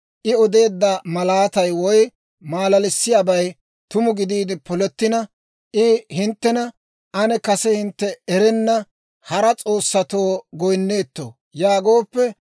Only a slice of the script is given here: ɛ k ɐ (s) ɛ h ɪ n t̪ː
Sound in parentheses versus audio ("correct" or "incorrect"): correct